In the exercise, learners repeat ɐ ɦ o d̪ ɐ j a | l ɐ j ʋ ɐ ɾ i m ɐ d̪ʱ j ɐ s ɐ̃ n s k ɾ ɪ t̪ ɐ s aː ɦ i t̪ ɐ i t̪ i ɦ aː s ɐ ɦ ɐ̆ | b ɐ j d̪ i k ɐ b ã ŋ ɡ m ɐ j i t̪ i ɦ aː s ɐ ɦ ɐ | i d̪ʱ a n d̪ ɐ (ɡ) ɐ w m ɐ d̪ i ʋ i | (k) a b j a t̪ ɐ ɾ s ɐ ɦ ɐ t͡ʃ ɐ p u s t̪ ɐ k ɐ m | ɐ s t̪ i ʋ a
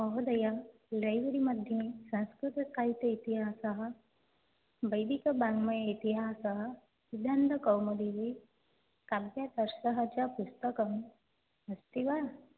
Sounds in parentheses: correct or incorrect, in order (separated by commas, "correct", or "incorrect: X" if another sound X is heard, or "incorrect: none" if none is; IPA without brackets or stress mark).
incorrect: k, correct